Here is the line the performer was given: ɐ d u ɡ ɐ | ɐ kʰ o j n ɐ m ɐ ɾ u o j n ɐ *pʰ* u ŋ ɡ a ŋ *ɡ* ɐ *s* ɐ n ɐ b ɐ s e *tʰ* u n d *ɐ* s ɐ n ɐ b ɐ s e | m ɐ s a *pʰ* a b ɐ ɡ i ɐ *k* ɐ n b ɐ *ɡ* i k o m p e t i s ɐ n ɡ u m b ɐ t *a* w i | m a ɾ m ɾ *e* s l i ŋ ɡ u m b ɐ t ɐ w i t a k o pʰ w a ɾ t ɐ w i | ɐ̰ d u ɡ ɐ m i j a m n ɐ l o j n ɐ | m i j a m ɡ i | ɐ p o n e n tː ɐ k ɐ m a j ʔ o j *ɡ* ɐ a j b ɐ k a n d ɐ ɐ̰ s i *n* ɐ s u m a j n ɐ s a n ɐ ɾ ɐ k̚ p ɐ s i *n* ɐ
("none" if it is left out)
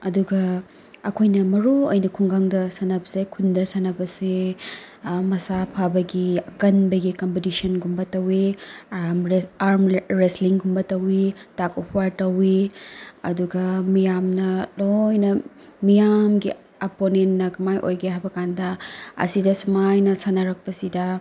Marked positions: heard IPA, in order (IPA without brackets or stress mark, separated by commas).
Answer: kʰ, d, s, kʰ, ɐ, pʰ, k, ɡ, ɐ, e, ɡ, d, d